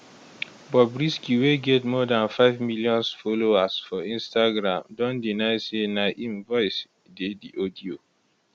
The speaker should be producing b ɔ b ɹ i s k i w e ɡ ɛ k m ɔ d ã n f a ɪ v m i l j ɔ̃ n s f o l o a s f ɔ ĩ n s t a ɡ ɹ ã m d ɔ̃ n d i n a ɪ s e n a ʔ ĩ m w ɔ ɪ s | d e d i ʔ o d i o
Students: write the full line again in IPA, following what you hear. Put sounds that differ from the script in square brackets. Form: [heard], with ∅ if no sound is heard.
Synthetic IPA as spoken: b ɔ b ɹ i s k i w e ɡ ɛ [t] m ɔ d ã n f a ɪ v m i l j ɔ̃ n s f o l o a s f ɔ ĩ n s t a ɡ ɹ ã m d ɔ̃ n d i n a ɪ s e n a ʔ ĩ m [v] ɔ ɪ s | d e d i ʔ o d i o